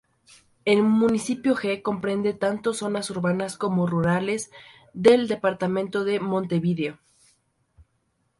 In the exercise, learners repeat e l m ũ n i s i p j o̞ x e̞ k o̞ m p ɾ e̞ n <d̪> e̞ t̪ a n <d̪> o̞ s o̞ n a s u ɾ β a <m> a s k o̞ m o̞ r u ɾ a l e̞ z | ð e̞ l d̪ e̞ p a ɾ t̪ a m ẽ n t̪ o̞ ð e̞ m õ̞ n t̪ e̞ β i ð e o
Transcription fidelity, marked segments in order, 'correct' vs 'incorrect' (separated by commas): correct, incorrect, incorrect